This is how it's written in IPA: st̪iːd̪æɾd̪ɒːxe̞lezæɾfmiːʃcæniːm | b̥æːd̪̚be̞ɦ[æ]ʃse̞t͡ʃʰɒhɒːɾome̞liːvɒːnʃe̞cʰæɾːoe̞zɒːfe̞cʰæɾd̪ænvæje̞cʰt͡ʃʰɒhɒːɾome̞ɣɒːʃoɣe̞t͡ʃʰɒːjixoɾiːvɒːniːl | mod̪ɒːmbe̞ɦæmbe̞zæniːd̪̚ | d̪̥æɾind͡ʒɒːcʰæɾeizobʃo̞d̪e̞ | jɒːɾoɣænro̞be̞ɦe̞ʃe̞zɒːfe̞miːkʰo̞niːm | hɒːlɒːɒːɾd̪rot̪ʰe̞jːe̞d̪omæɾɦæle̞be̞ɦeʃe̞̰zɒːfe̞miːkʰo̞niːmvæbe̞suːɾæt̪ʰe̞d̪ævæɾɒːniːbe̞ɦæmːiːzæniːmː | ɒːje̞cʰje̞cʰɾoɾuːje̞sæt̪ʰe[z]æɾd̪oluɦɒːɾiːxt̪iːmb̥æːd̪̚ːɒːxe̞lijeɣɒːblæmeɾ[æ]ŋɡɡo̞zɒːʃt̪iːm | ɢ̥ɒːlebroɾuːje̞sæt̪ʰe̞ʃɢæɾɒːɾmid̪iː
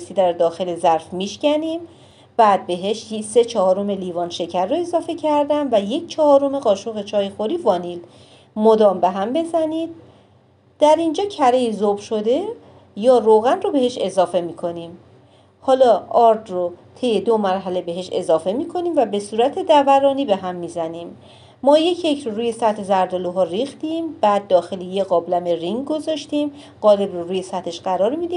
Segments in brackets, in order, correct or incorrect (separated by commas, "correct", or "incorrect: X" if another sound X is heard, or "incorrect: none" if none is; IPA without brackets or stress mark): incorrect: e, correct, incorrect: i